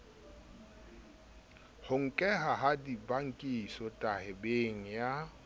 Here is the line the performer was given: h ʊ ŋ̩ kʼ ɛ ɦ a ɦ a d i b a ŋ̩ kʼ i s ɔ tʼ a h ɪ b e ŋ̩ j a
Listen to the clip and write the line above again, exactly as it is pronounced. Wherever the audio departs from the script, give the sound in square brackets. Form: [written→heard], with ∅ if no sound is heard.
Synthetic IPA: h ʊ ŋ̩ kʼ ɛ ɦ a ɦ a d i b a ŋ̩ kʼ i s ɔ tʼ a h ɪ b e ŋ̩ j a